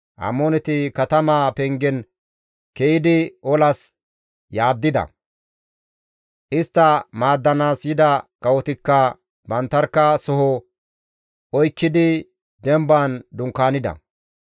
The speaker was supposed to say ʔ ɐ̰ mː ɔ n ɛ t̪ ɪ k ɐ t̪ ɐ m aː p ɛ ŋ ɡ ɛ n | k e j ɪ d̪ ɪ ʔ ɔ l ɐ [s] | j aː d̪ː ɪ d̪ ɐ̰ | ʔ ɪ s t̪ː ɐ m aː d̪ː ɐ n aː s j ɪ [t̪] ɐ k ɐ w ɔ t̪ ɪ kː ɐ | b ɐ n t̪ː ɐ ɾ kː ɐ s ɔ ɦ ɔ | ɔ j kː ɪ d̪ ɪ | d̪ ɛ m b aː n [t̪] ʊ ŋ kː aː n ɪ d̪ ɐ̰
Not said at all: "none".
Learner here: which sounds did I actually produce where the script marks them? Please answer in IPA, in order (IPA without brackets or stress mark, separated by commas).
s, d̪, d̪